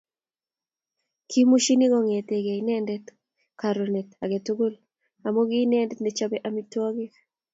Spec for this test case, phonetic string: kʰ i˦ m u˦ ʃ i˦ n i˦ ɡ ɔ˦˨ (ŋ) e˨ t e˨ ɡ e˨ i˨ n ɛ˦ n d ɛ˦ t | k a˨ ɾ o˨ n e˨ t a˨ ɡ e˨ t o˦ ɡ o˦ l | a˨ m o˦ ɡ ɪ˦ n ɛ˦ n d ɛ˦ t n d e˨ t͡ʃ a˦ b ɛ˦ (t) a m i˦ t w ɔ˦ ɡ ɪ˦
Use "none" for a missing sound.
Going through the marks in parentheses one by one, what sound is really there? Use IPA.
ŋ, ʔ

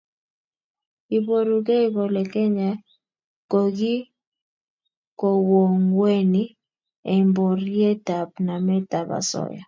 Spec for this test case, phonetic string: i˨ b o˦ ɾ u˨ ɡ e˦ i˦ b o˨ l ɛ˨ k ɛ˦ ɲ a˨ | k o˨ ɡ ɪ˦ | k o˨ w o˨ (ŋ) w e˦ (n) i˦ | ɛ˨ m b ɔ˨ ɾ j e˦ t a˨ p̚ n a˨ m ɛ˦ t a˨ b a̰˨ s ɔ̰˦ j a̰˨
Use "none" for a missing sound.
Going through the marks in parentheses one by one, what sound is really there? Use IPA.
ŋ, n

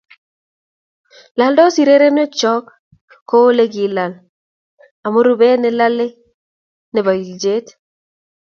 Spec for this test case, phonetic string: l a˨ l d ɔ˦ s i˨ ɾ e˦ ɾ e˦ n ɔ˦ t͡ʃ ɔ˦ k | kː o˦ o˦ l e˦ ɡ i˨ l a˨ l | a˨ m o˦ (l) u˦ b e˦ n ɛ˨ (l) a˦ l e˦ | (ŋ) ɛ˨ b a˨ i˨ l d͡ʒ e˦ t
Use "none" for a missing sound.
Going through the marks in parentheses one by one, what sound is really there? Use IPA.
ɾ, l, n

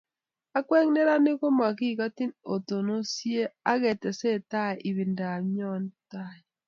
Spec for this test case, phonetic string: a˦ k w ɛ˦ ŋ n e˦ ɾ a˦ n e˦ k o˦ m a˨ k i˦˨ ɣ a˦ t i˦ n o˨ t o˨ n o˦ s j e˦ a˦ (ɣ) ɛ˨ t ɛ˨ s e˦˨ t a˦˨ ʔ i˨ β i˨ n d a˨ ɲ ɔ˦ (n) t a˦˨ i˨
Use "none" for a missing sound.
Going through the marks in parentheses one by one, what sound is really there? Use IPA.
ɣ, n

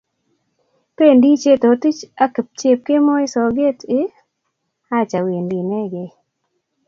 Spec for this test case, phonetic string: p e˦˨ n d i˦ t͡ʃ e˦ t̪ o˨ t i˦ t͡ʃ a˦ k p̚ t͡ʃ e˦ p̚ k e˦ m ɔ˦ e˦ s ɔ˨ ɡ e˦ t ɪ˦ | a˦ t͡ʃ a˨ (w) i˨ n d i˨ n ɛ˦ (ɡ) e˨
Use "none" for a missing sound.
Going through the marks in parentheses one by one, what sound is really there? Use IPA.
w, ɡ

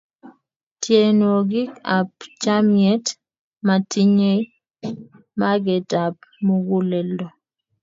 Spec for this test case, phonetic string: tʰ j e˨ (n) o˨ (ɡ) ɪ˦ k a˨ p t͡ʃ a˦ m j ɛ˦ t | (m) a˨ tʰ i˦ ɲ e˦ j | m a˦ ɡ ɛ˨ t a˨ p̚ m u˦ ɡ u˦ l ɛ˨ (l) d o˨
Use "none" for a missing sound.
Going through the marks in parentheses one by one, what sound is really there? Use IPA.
n, ɡ, m, l

